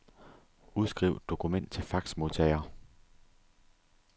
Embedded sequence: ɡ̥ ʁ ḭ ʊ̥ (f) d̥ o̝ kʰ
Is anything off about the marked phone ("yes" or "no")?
yes